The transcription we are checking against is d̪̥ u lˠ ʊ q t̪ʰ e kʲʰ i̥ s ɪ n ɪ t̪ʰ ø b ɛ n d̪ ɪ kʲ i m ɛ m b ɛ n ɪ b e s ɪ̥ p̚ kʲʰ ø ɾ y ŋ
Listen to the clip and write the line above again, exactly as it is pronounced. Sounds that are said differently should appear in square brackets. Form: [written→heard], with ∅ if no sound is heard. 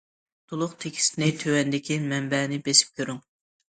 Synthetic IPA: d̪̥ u lˠ ʊ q t̪ʰ e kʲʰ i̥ s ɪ n ɪ t̪ʰ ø [b→w] ɛ n d̪ ɪ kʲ i m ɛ m b ɛ n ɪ b e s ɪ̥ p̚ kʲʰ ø ɾ y ŋ